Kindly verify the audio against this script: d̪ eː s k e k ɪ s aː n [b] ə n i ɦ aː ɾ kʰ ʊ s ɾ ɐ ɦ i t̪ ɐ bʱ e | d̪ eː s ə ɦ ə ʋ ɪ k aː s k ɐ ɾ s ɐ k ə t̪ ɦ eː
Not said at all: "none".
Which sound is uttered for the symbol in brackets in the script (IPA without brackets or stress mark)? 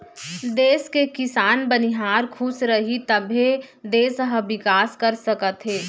b